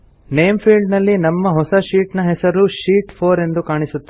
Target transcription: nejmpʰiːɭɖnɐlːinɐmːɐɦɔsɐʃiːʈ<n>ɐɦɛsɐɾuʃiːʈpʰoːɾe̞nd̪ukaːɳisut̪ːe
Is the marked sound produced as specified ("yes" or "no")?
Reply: yes